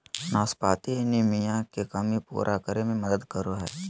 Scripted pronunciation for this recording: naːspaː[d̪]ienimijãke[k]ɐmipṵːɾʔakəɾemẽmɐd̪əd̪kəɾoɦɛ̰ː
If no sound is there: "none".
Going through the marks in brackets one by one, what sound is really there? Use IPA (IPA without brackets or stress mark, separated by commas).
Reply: t̪, k